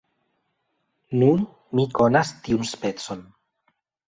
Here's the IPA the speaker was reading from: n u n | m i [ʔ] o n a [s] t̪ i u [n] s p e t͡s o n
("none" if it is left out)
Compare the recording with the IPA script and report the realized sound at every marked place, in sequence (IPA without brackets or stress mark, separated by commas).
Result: k, s, n